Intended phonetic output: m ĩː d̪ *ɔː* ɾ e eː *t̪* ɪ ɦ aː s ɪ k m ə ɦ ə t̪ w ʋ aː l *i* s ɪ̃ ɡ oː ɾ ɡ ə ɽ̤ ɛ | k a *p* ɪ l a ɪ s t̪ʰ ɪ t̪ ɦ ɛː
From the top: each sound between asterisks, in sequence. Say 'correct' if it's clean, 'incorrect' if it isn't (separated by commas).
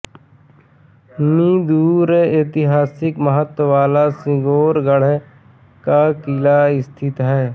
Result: incorrect, correct, incorrect, incorrect